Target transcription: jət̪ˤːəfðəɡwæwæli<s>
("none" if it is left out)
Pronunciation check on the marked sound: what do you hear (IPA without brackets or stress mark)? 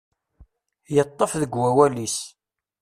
s